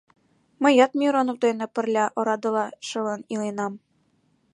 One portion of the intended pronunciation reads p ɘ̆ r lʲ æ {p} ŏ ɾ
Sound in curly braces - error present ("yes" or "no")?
yes